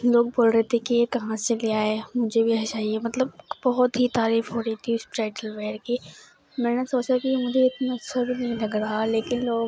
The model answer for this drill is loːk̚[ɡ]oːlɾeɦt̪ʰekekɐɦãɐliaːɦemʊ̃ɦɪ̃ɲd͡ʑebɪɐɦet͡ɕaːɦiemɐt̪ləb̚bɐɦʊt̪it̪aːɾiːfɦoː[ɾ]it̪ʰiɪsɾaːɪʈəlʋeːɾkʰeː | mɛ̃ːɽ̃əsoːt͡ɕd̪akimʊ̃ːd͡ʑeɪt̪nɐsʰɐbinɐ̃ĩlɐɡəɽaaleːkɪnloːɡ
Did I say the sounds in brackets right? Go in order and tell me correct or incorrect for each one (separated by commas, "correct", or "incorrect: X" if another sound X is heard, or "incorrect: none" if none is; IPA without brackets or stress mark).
incorrect: b, correct